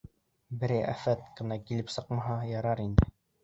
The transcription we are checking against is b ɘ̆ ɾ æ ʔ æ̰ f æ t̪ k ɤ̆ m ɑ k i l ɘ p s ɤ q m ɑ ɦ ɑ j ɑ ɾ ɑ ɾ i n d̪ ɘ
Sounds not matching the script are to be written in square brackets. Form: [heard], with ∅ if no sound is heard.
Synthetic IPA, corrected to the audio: b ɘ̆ ɾ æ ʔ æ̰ f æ t̪ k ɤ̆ [n] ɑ k i l ɘ p s ɤ q m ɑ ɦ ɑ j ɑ ɾ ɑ ɾ i n d̪ ɘ